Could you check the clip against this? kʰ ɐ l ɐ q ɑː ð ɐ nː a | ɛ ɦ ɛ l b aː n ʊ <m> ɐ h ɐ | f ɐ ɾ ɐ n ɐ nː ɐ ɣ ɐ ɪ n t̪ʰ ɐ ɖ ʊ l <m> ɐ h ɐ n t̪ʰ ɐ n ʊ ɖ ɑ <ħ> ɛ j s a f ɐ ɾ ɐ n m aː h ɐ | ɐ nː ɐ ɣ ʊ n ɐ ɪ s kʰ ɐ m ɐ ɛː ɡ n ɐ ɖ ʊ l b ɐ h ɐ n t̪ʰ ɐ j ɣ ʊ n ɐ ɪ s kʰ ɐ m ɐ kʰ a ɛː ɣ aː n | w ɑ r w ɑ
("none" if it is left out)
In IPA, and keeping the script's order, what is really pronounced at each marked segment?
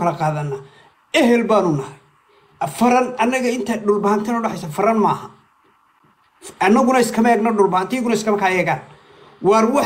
n, b, ħ

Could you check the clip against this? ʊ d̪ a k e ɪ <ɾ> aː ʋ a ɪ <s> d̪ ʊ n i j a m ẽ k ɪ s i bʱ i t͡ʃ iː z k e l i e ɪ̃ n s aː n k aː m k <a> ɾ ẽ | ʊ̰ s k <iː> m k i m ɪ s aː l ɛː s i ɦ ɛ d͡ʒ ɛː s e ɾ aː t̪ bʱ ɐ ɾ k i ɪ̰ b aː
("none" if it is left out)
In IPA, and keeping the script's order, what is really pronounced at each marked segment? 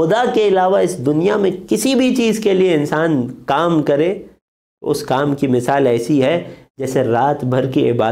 l, s, ɐ, aː

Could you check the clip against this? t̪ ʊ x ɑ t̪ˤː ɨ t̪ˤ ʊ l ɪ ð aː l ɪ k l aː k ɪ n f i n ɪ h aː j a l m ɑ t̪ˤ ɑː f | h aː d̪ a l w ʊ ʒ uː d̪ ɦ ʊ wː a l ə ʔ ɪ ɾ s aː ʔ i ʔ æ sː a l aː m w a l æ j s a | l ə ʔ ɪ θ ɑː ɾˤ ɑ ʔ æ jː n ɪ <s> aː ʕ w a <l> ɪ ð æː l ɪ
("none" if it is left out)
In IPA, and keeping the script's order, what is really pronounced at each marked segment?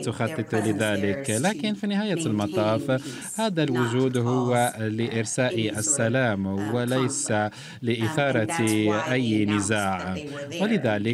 z, l

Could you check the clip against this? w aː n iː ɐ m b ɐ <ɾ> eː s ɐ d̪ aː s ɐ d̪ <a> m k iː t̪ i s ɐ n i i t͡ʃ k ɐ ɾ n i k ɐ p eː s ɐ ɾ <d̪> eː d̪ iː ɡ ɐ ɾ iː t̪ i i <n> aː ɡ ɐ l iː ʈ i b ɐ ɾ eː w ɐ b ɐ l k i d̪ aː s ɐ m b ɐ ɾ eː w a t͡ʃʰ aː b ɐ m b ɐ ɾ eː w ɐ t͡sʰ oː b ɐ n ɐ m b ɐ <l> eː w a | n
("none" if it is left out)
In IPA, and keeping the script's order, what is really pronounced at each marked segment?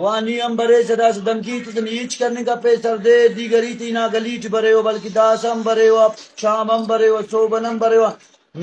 ɾ, ɐ, d̪, n, ɾ

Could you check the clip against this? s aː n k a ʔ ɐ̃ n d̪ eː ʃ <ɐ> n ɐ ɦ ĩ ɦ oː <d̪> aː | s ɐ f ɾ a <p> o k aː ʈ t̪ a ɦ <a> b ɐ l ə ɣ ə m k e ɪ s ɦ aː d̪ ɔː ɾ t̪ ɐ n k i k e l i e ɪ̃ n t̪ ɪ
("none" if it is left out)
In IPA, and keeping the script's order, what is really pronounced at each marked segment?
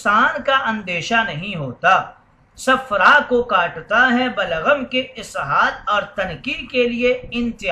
a, t̪, k, ɛ

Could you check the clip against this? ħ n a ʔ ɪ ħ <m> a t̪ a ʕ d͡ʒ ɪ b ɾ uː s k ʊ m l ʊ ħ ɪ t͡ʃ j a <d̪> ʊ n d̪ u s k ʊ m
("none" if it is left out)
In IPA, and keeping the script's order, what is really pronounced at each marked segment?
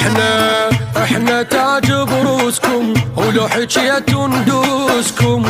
n, t̪

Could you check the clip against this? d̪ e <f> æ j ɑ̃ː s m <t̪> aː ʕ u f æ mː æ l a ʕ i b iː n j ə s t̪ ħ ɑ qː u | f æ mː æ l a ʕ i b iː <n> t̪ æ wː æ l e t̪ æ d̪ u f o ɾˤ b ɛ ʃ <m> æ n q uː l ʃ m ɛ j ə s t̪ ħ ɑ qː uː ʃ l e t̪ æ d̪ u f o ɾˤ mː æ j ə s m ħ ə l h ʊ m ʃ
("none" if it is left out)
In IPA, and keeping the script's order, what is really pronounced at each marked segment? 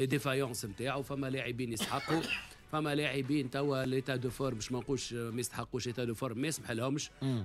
f, t̪, n, m

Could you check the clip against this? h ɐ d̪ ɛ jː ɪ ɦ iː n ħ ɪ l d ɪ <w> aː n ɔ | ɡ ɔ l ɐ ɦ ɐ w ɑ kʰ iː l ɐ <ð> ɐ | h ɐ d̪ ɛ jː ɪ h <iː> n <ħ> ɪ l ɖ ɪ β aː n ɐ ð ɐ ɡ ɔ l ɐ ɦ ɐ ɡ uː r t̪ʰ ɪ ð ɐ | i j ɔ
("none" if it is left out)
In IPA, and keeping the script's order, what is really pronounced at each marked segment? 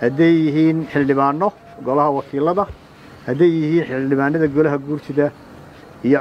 β, ð, iː, ħ

